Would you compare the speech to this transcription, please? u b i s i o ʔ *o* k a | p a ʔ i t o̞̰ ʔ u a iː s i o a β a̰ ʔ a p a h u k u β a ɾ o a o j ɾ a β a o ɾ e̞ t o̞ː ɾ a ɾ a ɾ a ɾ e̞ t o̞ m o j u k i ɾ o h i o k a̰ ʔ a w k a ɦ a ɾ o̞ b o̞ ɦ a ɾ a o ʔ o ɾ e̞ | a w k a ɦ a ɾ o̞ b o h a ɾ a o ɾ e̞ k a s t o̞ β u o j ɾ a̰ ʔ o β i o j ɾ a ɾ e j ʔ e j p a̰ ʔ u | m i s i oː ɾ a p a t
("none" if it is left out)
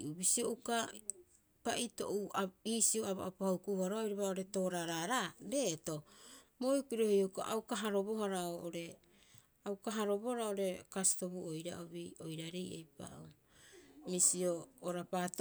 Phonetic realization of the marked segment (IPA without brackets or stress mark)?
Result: u